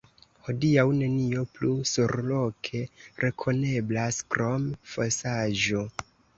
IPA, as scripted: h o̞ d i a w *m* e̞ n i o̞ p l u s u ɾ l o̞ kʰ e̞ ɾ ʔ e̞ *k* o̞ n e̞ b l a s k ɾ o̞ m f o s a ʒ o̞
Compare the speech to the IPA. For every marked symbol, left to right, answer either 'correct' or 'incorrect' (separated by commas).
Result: incorrect, incorrect